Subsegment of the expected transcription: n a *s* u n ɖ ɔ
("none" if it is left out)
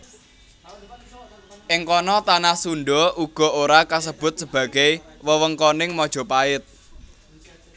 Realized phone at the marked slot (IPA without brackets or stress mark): s